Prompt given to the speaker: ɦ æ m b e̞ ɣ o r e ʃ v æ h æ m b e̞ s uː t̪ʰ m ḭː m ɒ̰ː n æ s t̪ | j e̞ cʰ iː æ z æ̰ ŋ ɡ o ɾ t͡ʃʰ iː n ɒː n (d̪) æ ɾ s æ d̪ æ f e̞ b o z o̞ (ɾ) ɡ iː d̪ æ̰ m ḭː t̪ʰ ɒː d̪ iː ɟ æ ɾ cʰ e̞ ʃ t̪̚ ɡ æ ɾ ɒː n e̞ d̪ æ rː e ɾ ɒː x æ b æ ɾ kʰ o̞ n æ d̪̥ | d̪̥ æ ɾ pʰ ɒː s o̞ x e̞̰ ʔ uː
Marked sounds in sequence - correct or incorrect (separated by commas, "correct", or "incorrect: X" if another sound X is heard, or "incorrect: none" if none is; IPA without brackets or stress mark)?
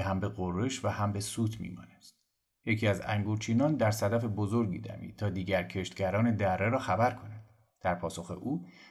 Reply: correct, correct